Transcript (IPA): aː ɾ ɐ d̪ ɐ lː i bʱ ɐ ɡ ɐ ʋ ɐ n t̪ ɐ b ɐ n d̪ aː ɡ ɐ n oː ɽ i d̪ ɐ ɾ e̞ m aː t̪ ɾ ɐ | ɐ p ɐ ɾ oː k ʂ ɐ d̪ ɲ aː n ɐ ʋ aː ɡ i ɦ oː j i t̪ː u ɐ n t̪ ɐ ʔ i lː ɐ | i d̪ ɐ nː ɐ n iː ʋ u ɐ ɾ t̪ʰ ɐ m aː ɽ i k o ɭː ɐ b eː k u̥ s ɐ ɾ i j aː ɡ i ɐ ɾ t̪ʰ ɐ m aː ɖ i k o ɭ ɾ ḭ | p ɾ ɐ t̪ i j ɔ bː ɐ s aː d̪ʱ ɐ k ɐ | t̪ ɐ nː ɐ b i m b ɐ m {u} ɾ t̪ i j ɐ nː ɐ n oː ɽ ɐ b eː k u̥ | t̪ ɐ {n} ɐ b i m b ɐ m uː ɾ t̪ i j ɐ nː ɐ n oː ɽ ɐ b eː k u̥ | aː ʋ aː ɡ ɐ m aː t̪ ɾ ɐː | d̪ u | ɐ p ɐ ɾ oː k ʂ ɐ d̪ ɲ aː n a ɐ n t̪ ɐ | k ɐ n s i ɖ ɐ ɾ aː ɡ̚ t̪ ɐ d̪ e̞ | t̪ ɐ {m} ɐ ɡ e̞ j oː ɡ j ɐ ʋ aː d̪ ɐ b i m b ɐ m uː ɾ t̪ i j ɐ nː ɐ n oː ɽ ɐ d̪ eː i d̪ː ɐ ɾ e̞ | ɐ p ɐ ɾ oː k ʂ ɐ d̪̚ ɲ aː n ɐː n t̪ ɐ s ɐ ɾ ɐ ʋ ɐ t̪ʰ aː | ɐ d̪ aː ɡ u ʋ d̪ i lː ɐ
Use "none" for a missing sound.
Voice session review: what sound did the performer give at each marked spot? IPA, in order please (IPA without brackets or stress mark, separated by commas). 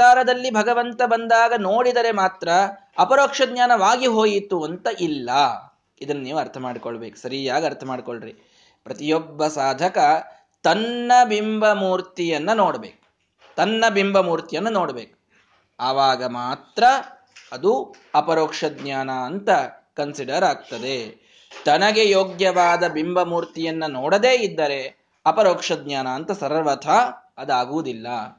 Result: uː, nː, n